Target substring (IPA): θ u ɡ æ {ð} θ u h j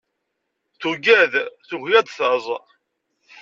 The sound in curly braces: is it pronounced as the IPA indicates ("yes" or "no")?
yes